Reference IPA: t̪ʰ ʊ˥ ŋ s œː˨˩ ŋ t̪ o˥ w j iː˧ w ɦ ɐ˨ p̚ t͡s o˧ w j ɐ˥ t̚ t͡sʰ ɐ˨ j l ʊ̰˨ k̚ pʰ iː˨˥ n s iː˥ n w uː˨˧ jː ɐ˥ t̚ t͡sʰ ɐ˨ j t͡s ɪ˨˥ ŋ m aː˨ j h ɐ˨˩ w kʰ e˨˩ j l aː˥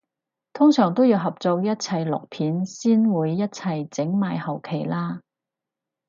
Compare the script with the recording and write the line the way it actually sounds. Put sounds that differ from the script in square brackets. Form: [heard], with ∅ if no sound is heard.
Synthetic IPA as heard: t̪ʰ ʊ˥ ŋ s œː˨˩ ŋ t̪ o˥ w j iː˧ w ɦ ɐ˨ p̚ t͡s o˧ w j ɐ˥ t̚ t͡sʰ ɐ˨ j l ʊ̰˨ k̚ pʰ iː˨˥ n s iː˥ n w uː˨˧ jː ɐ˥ t̚ t͡sʰ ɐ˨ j t͡s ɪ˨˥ ŋ m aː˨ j h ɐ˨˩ w kʰ e˨˩ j l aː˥